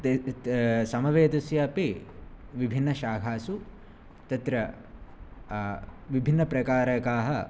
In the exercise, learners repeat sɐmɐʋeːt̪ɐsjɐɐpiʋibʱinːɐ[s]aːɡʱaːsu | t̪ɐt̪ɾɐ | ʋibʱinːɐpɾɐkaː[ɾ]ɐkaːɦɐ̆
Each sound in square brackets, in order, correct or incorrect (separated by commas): incorrect, correct